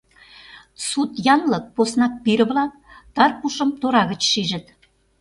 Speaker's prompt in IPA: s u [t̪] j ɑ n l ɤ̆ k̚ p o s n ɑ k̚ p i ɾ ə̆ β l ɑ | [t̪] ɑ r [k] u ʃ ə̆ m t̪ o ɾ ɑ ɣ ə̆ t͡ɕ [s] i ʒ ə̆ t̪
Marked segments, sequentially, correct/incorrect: correct, correct, incorrect: p, incorrect: ʃ

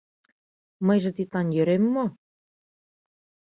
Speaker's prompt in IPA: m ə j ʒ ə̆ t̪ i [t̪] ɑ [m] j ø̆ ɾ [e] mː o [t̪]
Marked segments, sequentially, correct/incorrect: correct, incorrect: n, correct, incorrect: none

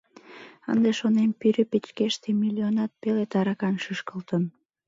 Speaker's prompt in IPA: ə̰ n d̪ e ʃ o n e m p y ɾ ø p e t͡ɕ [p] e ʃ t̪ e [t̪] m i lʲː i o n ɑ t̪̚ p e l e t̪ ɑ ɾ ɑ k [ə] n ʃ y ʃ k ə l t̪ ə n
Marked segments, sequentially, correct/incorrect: incorrect: k, incorrect: none, incorrect: ɑ

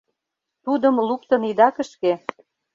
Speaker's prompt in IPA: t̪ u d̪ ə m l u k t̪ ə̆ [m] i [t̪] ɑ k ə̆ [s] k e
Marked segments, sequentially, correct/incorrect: incorrect: n, incorrect: d̪, incorrect: ʃ

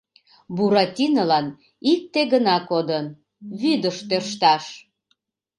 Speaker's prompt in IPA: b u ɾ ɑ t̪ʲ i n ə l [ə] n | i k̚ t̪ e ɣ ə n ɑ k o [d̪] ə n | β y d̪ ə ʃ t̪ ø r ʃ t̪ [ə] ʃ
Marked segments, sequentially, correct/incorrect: incorrect: ɑ, correct, incorrect: ɑ

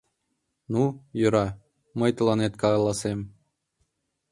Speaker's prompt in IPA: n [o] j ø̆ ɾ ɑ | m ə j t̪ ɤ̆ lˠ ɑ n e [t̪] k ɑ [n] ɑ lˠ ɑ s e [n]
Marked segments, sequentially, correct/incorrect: incorrect: u, correct, incorrect: none, incorrect: m

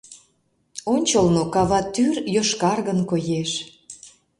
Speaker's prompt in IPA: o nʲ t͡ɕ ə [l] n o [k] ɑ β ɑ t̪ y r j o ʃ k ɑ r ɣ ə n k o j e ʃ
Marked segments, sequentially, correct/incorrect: correct, correct

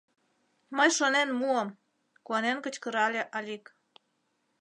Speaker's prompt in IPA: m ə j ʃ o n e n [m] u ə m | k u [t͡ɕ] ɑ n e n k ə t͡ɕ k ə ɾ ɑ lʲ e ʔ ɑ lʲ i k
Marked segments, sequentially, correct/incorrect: correct, incorrect: none

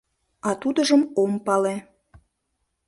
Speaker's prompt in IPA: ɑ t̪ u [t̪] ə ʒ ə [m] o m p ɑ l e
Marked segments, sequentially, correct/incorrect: incorrect: d̪, correct

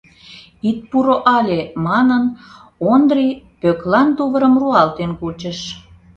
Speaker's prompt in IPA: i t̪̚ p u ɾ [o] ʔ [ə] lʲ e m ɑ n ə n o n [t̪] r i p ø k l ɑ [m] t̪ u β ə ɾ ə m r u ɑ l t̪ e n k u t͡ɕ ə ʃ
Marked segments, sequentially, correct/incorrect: correct, incorrect: ɑ, incorrect: d̪, incorrect: n

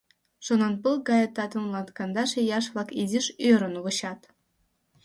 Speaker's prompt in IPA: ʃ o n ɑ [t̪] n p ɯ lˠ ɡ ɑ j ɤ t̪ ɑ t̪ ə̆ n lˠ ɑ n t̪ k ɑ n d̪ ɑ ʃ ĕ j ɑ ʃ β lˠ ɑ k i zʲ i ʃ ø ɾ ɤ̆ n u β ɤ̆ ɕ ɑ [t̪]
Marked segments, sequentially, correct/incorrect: incorrect: none, correct

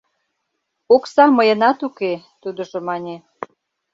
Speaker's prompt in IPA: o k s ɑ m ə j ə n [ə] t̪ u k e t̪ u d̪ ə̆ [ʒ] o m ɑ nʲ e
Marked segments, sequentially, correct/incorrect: incorrect: ɑ, correct

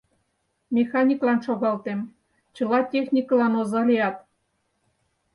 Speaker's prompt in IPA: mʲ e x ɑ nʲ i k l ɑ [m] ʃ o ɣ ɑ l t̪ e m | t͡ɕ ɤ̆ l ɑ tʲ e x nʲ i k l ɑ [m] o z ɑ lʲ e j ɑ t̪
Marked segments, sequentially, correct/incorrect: incorrect: n, incorrect: n

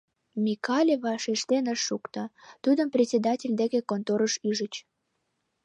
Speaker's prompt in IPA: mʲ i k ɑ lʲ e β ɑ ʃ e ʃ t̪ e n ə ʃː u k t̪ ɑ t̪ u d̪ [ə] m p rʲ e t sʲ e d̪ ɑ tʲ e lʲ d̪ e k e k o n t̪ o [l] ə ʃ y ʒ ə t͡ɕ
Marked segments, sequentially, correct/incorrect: correct, incorrect: ɾ

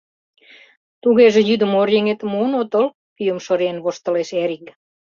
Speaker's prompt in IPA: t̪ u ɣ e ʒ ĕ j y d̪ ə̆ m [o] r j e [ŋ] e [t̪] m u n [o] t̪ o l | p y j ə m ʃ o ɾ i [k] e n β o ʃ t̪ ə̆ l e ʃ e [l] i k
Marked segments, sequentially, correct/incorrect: correct, correct, correct, correct, incorrect: none, incorrect: ɾ

